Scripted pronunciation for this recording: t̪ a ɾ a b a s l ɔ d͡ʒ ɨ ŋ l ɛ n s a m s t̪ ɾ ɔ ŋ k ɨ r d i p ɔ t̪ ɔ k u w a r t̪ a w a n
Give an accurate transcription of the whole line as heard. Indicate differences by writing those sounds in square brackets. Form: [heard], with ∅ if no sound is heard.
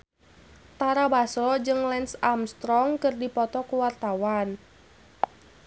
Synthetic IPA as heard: t̪ a ɾ a b a s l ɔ d͡ʒ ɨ ŋ l ɛ n s a m s t̪ ɾ ɔ ŋ k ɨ r d i p ɔ t̪ ɔ k u w a r t̪ a w a n